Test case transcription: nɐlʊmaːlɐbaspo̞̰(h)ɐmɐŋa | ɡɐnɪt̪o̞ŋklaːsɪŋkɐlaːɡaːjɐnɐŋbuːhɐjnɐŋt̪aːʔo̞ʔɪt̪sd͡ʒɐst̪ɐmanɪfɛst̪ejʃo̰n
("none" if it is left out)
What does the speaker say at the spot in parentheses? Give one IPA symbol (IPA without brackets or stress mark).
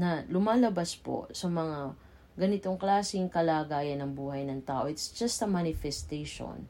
s